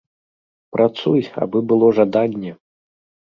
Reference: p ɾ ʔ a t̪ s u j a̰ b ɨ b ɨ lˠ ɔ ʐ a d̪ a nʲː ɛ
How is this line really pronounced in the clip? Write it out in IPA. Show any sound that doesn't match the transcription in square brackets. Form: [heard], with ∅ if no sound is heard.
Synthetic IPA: p ɾ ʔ a t̪ s u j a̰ b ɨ b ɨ lˠ ɔ ʐ a d̪ a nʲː ɛ